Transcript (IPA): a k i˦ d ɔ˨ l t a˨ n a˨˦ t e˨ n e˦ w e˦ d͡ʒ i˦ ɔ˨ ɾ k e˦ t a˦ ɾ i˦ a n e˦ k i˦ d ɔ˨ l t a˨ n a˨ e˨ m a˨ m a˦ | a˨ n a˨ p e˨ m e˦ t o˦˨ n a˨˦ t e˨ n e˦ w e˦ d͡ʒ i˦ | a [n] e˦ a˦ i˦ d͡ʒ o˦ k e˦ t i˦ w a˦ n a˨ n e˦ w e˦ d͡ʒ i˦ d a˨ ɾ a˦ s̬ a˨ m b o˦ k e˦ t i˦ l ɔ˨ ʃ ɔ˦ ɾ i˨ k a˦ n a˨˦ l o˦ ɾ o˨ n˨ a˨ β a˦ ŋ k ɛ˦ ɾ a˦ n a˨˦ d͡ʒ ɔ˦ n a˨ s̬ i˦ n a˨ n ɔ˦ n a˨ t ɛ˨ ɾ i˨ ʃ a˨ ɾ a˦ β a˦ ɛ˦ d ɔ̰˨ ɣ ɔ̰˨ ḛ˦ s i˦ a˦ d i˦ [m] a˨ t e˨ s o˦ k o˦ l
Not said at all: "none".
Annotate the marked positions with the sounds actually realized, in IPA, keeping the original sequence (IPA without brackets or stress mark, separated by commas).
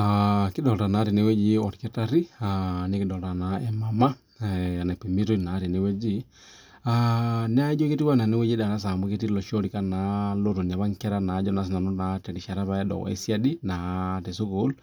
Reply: n, n